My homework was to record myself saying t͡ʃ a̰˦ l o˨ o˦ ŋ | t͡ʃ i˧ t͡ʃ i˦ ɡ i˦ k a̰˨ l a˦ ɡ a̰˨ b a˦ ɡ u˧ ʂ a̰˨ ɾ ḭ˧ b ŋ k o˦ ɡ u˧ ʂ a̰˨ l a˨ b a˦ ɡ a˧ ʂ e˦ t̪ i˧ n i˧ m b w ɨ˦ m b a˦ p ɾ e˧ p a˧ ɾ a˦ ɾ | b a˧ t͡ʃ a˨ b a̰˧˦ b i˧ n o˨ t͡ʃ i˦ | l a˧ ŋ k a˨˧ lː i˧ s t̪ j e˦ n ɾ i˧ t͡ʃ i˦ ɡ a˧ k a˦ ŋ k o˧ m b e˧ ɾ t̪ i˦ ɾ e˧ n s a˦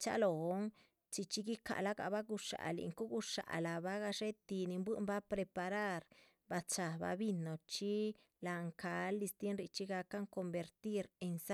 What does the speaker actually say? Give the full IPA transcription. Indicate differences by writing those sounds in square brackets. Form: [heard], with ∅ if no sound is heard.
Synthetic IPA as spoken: t͡ʃ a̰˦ l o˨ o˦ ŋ | t͡ʃ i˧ t͡ʃ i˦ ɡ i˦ k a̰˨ l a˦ ɡ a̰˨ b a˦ ɡ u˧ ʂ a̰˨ [l] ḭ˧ [∅] ŋ k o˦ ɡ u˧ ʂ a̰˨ l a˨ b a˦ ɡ a˧ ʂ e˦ t̪ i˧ n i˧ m b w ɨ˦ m b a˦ p ɾ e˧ p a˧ ɾ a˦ ɾ | b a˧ t͡ʃ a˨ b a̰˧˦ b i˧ n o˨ t͡ʃ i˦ | l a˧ ŋ k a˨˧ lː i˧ s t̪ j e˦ n ɾ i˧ t͡ʃ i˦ ɡ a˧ k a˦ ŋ k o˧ m b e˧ ɾ t̪ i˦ ɾ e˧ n s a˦